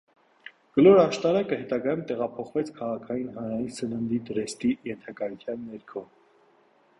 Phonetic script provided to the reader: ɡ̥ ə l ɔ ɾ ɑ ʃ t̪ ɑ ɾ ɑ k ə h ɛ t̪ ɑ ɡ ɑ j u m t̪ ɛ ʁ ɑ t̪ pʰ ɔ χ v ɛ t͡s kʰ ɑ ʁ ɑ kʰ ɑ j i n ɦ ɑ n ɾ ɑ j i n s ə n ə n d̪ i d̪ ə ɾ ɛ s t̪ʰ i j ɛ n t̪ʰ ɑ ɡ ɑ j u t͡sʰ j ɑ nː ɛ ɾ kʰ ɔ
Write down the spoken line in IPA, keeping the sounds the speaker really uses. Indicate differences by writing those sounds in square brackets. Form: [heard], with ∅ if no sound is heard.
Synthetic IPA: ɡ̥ ə l ɔ ɾ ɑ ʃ t̪ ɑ ɾ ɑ k ə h ɛ t̪ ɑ ɡ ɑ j u m t̪ ɛ ʁ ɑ [∅] pʰ ɔ χ v ɛ [t͡sʰ] kʰ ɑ ʁ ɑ kʰ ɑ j i n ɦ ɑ n ɾ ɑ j i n s ə n ə n d̪ i d̪ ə ɾ ɛ s [t̪] i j ɛ n t̪ʰ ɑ [k] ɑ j u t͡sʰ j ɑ nː ɛ ɾ kʰ ɔ

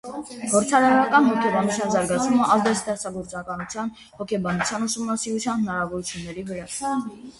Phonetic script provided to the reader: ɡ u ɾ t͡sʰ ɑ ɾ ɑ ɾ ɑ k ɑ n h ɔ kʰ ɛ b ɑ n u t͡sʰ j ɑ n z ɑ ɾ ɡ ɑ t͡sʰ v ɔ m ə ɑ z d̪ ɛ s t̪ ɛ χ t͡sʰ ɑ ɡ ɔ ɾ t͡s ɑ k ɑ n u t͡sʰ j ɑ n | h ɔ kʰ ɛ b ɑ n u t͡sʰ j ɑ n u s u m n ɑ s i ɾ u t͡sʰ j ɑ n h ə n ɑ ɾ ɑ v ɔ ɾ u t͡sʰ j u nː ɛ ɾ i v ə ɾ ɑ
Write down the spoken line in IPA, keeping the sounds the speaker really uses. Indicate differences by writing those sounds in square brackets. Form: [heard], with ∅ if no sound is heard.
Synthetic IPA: ɡ [ɔ] ɾ t͡sʰ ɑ ɾ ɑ ɾ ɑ k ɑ n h ɔ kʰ ɛ b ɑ n u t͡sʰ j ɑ n z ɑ ɾ ɡ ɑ t͡sʰ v [u] m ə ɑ z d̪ ɛ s t̪ ɛ χ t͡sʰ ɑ ɡ ɔ ɾ t͡s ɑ k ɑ n u t͡sʰ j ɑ n | h ɔ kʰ ɛ b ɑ n u t͡sʰ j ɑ n u s u m n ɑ s i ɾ u t͡sʰ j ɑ n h ə n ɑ ɾ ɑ v ɔ ɾ u t͡sʰ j u nː ɛ ɾ i v ə ɾ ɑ

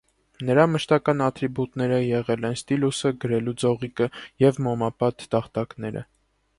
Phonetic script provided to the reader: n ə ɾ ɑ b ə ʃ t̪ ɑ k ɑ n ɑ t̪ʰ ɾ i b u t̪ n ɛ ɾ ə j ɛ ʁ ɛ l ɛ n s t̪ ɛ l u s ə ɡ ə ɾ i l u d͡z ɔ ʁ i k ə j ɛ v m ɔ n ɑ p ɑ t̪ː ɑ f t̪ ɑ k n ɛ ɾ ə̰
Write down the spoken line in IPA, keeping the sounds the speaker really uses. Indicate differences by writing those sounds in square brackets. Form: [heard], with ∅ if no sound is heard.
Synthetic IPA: n ə ɾ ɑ [m] ə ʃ t̪ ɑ k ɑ n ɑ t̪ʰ ɾ i b u t̪ n ɛ ɾ ə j ɛ ʁ ɛ l ɛ n s t̪ [i] l u s ə ɡ ə ɾ [ɛ] l u d͡z ɔ ʁ i k ə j ɛ v m ɔ [m] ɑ p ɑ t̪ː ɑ [χ] t̪ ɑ k n ɛ ɾ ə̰

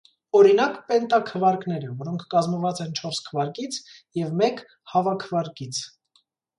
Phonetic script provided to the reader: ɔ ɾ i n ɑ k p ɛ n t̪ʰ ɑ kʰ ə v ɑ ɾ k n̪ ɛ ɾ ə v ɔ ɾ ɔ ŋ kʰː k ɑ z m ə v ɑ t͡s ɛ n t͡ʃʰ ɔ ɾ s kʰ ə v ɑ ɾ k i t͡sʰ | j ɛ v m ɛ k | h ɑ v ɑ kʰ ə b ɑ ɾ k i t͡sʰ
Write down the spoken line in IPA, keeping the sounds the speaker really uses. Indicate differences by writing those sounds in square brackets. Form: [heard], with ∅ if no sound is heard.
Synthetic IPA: ɔ ɾ i n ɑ k p ɛ n [t̪] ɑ kʰ ə v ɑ ɾ k n̪ ɛ ɾ ə v ɔ ɾ ɔ ŋ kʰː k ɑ z m ə v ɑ t͡s ɛ n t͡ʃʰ ɔ ɾ s kʰ ə v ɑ ɾ k i t͡sʰ | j ɛ v m ɛ k | h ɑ v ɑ kʰ ə [v] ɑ ɾ k i t͡sʰ

